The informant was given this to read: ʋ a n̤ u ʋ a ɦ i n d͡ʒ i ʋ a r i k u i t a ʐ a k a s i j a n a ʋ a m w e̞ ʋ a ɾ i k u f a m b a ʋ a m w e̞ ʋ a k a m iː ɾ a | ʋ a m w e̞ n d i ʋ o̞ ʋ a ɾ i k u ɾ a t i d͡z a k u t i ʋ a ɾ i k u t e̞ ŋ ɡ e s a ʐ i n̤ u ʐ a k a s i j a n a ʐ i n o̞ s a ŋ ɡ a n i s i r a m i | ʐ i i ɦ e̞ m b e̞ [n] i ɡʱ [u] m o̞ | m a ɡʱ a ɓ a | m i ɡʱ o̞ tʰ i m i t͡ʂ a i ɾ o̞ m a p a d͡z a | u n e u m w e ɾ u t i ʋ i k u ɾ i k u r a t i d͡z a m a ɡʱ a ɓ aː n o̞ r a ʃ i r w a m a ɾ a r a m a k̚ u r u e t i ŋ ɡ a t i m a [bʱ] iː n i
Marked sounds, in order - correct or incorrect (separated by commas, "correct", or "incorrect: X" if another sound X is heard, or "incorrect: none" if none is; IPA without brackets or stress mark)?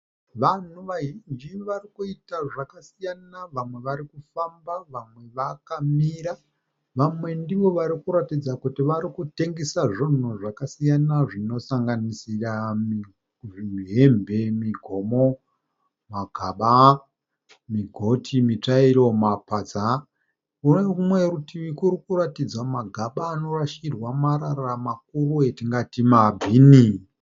incorrect: m, incorrect: o, correct